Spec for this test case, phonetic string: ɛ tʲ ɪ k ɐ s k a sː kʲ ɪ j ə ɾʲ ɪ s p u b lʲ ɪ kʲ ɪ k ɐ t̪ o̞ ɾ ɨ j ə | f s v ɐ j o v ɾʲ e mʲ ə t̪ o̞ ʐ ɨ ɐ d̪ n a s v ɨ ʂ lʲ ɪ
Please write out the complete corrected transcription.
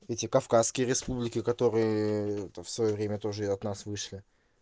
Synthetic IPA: ɛ tʲ ɪ k ɐ f k a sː kʲ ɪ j ə ɾʲ ɪ s p u b lʲ ɪ kʲ ɪ k ɐ t̪ o̞ ɾ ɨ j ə | f s v ɐ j o v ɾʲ e mʲ ə t̪ o̞ ʐ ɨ ɐ t̪ n a s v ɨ ʂ lʲ ɪ